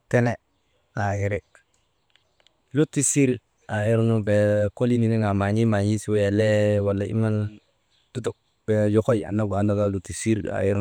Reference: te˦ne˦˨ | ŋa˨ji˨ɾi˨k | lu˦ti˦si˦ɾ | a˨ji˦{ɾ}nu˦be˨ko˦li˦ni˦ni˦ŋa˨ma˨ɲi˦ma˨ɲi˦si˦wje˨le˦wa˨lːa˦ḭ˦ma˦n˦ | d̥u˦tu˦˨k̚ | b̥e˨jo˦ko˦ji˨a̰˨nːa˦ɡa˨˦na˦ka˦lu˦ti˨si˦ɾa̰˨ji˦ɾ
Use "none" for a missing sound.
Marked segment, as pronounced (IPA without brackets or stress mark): ɾ